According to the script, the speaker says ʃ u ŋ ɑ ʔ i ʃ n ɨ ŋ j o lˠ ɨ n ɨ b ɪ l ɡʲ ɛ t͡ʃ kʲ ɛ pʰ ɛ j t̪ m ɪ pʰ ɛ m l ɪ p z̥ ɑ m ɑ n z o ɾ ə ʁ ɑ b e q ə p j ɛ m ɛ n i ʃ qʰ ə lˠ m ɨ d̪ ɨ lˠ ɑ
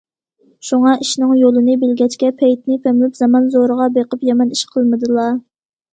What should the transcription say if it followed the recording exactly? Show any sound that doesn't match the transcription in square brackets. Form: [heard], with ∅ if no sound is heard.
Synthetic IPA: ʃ u ŋ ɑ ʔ i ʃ n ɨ ŋ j o lˠ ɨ n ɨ b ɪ l ɡʲ ɛ t͡ʃ kʲ ɛ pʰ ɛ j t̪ [n] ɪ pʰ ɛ m l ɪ p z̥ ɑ m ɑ n z o ɾ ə ʁ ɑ b e q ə p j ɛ m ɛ n i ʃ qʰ ə lˠ m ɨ d̪ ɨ lˠ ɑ